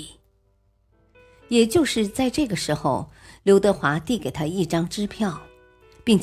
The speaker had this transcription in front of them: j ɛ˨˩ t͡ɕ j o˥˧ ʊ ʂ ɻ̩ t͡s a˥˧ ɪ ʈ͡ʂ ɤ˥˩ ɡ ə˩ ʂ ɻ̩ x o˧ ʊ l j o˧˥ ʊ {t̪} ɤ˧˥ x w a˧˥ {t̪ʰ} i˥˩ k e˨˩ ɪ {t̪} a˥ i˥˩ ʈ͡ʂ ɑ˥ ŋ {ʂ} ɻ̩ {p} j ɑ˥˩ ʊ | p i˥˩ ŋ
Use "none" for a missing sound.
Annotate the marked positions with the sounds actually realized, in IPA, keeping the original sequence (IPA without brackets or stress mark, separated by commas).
t̪, t̪, t̪ʰ, ʈ͡ʂ, pʰ